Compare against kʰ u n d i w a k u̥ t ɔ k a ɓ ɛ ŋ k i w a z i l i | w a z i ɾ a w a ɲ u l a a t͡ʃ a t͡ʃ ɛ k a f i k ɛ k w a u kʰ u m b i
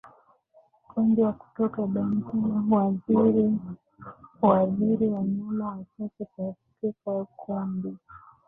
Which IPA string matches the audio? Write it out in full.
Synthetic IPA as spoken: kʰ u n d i w a k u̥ t ɔ k a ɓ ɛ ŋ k i w a z i ɾ i | w a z i ɾ i w a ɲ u l a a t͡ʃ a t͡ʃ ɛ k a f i k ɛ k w a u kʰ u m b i